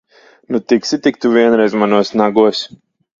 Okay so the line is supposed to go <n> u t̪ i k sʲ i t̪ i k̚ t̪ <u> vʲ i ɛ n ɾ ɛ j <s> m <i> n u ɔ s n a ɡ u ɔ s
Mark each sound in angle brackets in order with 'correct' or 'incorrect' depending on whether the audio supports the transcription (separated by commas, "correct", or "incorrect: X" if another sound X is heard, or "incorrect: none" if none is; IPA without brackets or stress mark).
correct, correct, incorrect: z, incorrect: a